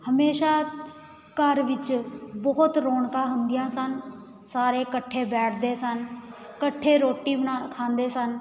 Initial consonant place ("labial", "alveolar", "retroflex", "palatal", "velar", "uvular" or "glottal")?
glottal